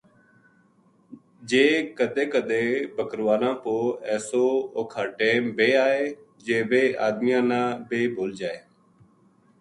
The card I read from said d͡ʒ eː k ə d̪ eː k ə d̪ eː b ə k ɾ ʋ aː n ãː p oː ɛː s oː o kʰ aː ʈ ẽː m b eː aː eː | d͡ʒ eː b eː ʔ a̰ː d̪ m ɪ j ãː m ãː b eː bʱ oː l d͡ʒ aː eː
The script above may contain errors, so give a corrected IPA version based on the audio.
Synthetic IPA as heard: d͡ʒ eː k ə d̪ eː k ə d̪ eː b ə k ɾ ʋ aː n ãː p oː ɛː s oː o kʰ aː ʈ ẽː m b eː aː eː | d͡ʒ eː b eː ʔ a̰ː d̪ m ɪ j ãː n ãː b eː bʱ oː l d͡ʒ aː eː

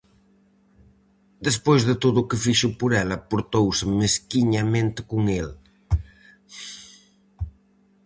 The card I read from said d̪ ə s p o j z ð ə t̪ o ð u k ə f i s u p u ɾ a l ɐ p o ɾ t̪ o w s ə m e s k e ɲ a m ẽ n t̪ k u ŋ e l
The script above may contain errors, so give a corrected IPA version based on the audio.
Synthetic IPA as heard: d̪ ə s p o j z ð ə t̪ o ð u k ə f i ʃ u p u ɾ ɛ l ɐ p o ɾ t̪ o w s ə m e s k i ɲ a m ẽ n t̪ k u ŋ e l

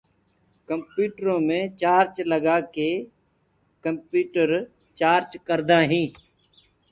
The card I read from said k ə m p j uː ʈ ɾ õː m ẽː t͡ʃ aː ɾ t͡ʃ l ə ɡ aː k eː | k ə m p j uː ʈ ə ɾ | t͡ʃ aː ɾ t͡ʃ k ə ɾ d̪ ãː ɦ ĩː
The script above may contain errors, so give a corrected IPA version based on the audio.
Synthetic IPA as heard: k ə m p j uː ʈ ɾ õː m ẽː t͡ʃ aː ɾ t͡ʃ l ə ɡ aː k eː | k ə m p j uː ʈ ə ɾ | t͡ʃ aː ɾ t͡ʃ k ə ɾ d̪ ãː ɦ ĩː

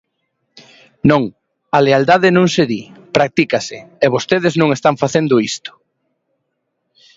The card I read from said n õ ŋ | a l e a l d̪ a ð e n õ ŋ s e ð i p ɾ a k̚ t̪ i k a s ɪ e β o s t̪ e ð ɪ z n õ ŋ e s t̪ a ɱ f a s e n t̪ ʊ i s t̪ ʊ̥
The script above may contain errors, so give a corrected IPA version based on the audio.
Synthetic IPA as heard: n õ ŋ | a l e a l d̪ a ð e n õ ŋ s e ð i p ɾ a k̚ t̪ i k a s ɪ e β o s t̪ e ð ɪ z n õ ŋ e s t̪ a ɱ f a θ e n d̪ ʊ i s t̪ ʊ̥

